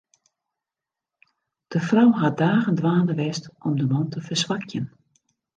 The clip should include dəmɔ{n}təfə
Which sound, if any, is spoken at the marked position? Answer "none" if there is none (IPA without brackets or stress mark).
n